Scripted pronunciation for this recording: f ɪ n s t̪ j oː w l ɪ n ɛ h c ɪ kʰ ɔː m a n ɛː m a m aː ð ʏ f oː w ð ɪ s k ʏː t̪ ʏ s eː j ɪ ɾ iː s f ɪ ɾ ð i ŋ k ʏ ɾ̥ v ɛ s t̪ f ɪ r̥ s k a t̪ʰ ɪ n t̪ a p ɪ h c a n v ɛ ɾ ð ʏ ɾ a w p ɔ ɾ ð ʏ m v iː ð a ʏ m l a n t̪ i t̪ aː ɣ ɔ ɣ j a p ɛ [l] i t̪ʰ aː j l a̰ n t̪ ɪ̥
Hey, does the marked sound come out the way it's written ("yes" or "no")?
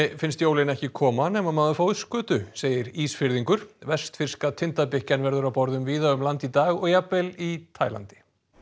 yes